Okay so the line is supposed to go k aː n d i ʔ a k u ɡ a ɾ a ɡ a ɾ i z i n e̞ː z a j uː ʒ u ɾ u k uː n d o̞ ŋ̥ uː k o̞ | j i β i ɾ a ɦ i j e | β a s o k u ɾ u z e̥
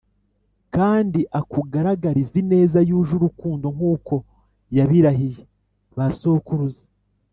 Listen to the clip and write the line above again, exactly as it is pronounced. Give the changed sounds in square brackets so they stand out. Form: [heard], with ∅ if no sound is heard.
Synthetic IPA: k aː n d i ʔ a k u ɡ a ɾ a ɡ a ɾ i z i n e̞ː z a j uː ʒ u ɾ u k uː n d o̞ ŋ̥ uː k o̞ | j [a] β i ɾ a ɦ i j e | β a s o k u ɾ u z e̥